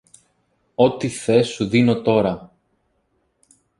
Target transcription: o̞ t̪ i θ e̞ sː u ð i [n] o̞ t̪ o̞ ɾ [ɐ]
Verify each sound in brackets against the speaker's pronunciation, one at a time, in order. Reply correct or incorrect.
correct, correct

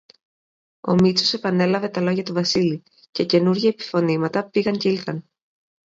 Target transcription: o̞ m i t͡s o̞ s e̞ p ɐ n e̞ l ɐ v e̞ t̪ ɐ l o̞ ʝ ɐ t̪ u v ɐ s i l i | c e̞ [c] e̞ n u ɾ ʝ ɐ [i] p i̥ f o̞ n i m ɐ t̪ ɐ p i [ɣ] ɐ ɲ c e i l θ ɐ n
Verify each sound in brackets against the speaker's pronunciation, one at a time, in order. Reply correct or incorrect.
correct, incorrect: e, correct

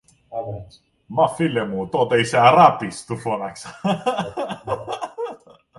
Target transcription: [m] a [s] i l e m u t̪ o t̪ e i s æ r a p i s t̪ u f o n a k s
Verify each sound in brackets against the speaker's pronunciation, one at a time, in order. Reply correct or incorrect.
correct, incorrect: f

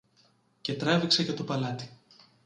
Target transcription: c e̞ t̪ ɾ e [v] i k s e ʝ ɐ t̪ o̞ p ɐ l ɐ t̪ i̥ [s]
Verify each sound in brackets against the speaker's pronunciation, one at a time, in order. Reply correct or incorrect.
correct, incorrect: none

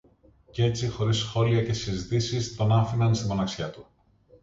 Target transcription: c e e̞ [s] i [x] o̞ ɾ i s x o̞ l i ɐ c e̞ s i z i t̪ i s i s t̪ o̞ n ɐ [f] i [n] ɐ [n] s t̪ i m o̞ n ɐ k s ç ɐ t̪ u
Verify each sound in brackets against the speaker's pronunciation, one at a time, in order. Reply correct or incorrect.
incorrect: t͡s, correct, correct, correct, correct

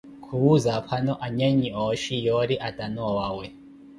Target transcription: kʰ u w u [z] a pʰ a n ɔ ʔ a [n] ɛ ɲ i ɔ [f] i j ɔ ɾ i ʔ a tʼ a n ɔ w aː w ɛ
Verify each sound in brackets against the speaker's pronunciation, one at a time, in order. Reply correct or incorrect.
correct, incorrect: ɲ, incorrect: ʃ

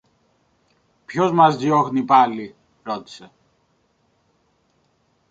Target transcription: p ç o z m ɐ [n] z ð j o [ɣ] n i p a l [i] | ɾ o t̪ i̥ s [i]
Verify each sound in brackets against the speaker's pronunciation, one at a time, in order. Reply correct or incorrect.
incorrect: none, incorrect: x, correct, incorrect: e

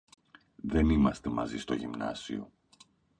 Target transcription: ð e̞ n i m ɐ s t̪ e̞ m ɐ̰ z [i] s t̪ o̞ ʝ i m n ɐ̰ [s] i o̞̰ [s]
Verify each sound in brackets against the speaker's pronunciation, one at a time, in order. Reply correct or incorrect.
correct, correct, incorrect: none

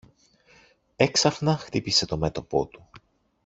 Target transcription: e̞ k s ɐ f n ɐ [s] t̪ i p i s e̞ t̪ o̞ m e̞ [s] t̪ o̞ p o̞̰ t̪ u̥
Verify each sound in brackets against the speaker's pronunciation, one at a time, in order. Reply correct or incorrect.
incorrect: x, incorrect: none

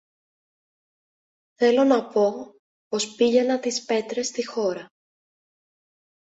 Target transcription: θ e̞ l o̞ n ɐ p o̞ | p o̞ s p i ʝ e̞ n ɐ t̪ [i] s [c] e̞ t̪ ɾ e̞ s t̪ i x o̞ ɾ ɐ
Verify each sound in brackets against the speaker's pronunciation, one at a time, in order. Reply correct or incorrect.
correct, incorrect: p

